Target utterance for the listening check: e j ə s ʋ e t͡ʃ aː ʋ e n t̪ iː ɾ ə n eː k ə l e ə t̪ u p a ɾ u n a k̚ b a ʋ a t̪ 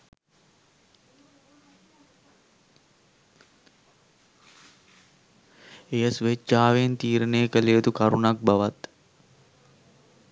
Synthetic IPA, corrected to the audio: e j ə s ʋ e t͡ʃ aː ʋ e n t̪ iː ɾ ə n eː k ə l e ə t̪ u k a ɾ u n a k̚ b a ʋ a t̪